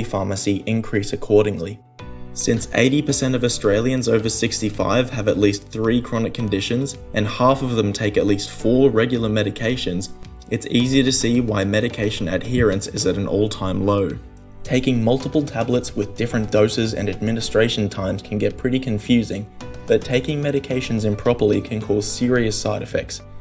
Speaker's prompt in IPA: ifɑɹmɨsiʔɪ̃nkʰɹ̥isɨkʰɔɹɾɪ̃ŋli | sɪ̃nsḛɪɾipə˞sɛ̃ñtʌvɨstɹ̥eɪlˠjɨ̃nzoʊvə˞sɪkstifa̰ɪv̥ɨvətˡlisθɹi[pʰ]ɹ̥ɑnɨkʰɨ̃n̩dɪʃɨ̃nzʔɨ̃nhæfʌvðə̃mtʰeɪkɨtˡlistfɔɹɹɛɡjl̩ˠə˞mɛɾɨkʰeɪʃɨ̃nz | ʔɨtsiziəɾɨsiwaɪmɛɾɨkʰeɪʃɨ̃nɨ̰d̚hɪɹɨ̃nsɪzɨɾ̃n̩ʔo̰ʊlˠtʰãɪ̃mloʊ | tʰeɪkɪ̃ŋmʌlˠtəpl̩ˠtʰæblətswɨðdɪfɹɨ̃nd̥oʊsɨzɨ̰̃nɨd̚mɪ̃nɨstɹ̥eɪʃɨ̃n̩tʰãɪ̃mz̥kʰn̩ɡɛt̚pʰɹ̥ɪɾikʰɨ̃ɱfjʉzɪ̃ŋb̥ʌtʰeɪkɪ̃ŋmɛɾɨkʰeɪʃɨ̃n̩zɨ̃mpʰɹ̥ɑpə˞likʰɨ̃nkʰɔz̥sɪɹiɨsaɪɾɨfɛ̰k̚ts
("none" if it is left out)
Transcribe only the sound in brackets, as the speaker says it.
kʰ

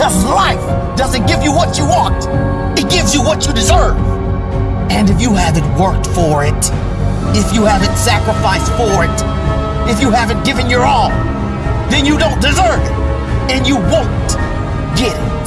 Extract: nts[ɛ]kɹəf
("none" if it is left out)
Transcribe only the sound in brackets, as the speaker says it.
æ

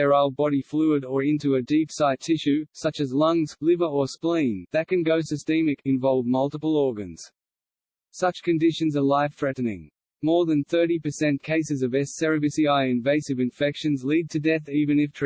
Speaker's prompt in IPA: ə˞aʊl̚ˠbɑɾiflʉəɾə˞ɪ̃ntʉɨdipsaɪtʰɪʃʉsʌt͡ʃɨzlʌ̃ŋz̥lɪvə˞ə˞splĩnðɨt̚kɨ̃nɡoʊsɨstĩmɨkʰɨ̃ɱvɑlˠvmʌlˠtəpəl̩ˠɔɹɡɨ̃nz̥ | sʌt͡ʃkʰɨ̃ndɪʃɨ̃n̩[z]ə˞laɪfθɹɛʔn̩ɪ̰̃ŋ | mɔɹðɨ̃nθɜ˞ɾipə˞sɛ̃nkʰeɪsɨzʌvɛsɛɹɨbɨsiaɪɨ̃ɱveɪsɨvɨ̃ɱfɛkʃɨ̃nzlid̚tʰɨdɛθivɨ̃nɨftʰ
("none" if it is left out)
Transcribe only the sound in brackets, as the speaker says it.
z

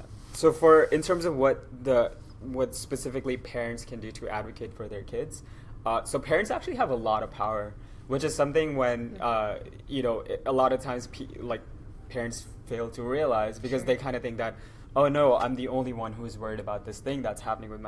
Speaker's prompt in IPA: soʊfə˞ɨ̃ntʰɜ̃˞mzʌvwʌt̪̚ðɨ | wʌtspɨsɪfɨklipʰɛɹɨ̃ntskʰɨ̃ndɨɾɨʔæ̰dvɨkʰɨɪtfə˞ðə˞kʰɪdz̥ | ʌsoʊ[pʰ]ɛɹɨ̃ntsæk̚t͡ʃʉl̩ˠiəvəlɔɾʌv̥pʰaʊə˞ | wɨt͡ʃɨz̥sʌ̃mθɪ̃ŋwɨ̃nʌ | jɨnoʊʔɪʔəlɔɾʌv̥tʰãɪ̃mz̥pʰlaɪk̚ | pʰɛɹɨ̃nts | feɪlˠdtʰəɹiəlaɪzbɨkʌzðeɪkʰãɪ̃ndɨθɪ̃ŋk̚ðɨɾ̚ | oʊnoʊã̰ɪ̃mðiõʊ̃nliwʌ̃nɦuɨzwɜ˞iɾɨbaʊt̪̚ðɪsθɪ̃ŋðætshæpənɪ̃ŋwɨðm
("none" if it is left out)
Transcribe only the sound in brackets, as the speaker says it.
pʰ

